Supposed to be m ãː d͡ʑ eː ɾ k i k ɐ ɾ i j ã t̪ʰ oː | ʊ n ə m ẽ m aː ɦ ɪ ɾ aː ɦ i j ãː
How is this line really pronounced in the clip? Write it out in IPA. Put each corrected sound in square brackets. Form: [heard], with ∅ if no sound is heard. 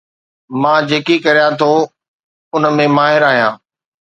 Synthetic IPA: m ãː d͡ʑ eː [∅] k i k ɐ ɾ i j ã t̪ʰ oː | ʊ n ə m ẽ m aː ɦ ɪ ɾ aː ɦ i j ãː